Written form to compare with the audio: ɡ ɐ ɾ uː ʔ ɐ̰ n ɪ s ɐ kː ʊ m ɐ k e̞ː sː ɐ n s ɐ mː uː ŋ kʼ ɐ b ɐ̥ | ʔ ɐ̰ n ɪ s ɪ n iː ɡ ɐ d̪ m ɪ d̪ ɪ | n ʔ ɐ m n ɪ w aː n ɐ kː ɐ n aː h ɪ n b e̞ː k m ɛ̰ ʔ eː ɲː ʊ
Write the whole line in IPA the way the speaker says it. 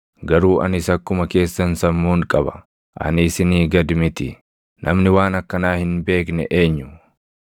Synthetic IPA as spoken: ɡ ɐ ɾ uː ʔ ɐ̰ n ɪ s ɐ kː ʊ m ɐ k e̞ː sː ɐ n s ɐ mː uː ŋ kʼ ɐ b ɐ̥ | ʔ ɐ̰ n ɪ s ɪ n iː ɡ ɐ d̪ m ɪ t̪ ɪ | n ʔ ɐ m n ɪ w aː n ɐ kː ɐ n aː h ɪ n b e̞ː k n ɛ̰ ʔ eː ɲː ʊ